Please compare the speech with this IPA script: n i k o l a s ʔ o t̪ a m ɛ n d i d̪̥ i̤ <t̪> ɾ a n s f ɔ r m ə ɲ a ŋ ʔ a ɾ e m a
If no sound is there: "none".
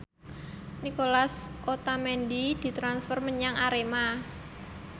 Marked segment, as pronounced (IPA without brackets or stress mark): t̪